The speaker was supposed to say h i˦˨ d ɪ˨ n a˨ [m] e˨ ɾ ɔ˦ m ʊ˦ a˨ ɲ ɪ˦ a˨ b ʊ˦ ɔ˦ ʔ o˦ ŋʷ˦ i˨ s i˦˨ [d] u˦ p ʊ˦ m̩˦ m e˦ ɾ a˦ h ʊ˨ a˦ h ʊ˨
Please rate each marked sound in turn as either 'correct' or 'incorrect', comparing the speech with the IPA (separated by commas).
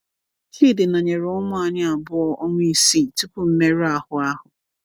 incorrect, incorrect